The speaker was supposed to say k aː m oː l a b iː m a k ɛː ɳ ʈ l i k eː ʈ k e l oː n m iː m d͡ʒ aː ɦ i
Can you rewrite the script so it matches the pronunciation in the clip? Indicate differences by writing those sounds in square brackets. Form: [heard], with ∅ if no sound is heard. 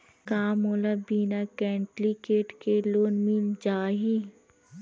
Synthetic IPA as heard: k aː m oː l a b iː [n] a k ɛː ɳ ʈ l i k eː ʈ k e l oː n m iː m d͡ʒ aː ɦ i